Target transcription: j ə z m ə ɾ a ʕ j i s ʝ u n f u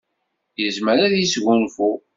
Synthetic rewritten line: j ə z m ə ɾ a ð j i s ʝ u n f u